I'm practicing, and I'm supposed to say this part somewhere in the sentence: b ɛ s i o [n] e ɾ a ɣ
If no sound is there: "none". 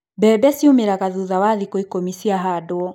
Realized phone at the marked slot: m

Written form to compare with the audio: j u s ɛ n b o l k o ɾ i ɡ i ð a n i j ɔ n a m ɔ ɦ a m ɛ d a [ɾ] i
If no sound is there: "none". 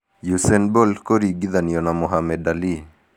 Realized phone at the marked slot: l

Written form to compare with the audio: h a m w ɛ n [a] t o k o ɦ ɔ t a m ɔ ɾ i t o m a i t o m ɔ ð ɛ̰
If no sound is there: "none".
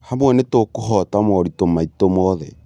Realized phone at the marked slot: e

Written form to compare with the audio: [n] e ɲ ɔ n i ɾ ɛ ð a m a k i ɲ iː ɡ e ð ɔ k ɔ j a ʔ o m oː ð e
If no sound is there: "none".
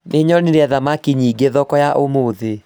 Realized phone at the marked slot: n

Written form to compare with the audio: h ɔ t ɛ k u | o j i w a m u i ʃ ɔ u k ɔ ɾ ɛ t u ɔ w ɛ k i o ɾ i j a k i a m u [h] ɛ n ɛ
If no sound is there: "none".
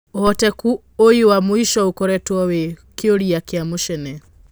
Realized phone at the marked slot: ʃ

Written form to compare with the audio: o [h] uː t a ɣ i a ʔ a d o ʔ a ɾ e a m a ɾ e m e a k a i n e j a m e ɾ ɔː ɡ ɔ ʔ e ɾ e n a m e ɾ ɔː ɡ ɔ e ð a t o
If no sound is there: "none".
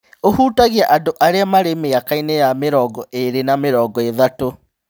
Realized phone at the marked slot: h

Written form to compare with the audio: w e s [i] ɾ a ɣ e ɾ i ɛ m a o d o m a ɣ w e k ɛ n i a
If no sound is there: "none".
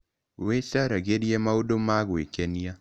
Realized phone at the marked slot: a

